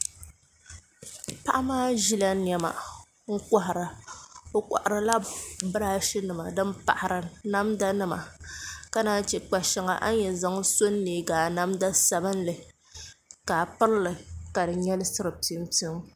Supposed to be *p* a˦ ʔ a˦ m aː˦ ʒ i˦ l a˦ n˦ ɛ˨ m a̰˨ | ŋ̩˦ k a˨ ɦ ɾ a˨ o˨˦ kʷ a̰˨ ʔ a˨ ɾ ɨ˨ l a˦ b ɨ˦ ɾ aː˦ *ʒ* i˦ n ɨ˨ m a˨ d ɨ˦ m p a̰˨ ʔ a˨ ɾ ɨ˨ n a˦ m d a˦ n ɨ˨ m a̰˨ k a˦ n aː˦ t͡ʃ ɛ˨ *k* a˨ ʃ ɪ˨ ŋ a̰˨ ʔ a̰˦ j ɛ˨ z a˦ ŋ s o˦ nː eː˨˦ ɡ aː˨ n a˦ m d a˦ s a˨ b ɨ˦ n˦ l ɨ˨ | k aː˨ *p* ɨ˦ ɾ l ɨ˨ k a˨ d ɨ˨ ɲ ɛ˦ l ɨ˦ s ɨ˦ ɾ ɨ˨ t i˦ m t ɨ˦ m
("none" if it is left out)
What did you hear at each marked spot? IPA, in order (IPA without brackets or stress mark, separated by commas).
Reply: p, ʃ, k͡p, p